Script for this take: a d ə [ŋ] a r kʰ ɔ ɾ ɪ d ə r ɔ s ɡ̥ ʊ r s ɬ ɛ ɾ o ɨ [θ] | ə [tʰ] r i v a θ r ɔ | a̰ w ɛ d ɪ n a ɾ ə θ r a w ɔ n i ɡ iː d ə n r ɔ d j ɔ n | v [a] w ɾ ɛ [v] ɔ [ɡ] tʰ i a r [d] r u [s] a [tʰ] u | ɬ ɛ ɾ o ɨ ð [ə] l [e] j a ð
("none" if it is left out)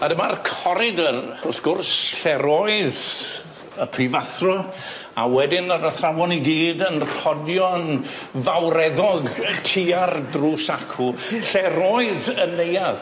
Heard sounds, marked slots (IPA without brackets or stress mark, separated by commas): m, ð, pʰ, a, ð, ɡ, d, s, kʰ, ə, e